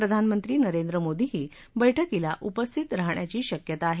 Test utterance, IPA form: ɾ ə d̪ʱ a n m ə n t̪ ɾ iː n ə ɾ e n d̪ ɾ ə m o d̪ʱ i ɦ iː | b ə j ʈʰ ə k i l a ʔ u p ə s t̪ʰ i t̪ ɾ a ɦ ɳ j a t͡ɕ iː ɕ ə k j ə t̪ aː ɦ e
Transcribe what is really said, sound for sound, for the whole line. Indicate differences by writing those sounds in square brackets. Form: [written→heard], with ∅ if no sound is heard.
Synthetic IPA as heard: ɾ ə d̪ʱ a n m ə n t̪ ɾ iː n ə ɾ e n d̪ ɾ ə m o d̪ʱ i ɦ iː | b ə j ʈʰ ə k i l a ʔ u p ə s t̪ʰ i t̪ ɾ a ɦ ɳ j a t͡ɕ iː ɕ ə k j ə t̪ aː ɦ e

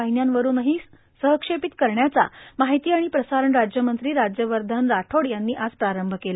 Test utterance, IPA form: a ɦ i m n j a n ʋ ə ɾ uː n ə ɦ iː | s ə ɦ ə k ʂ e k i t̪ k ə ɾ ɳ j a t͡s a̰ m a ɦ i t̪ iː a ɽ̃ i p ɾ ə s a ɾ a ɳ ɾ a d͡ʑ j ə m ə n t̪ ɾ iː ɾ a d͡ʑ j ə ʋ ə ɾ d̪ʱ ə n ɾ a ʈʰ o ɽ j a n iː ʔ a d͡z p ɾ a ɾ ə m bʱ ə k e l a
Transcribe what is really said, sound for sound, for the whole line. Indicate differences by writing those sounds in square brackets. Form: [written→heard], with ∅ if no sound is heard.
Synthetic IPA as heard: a ɦ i [m→∅] n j a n ʋ ə ɾ uː n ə ɦ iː | s ə ɦ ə k ʂ e [k→p] i t̪ k ə ɾ ɳ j a t͡s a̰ m a ɦ i t̪ iː a ɽ̃ i p ɾ ə s a ɾ [a→ə] ɳ ɾ a d͡ʑ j ə m ə n t̪ ɾ iː ɾ a d͡ʑ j ə ʋ ə ɾ d̪ʱ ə n ɾ a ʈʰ o ɽ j a [n→nː] iː ʔ a d͡z p ɾ a ɾ ə m bʱ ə k e l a

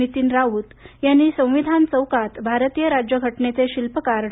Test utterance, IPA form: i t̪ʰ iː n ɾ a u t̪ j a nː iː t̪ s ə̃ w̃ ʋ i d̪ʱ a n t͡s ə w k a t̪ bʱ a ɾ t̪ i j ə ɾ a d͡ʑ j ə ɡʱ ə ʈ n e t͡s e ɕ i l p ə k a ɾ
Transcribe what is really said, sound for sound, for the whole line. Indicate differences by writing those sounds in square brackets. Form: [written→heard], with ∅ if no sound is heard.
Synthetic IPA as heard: i [t̪ʰ→t̪] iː n ɾ a u t̪ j a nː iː [t̪→∅] s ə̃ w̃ ʋ i d̪ʱ a n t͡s ə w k a t̪ bʱ a ɾ t̪ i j ə ɾ a d͡ʑ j ə ɡʱ ə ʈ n e t͡s e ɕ i l p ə k a ɾ

